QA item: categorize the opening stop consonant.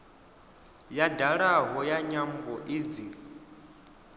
plain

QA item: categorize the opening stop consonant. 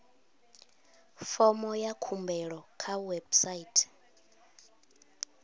aspirated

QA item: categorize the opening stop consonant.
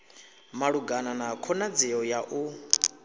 plain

